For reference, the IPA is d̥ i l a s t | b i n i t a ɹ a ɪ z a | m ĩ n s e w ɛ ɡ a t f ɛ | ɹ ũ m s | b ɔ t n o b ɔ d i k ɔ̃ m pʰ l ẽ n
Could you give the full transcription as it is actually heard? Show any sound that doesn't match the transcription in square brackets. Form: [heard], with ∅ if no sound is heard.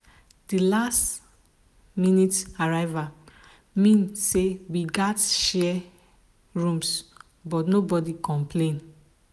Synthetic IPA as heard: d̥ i l a s t | [m] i n i t a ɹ a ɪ [v] a | m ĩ n s e w [i] ɡ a t [ʃ] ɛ | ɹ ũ m s | b ɔ t n o b ɔ d i k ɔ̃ m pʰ l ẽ n